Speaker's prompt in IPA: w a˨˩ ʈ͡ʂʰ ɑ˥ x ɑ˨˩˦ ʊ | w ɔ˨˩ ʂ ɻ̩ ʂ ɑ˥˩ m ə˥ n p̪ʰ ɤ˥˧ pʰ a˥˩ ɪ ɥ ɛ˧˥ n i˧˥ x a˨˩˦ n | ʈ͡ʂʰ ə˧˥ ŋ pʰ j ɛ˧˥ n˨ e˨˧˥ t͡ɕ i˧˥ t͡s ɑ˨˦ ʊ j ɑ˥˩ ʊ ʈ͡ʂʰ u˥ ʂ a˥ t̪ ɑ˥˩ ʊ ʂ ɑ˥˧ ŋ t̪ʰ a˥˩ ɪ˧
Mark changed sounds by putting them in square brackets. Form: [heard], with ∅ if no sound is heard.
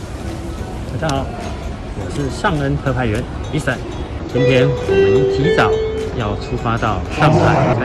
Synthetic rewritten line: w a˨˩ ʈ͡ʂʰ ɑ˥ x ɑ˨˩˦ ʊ | w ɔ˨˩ ʂ ɻ̩ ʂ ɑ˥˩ [ŋ] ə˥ n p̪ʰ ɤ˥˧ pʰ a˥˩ ɪ ɥ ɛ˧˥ n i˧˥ [s] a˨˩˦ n | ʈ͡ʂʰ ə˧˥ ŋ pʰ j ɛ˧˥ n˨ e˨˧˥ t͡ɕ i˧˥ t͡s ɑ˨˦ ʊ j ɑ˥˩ ʊ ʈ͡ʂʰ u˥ [f] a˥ t̪ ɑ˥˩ ʊ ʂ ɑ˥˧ ŋ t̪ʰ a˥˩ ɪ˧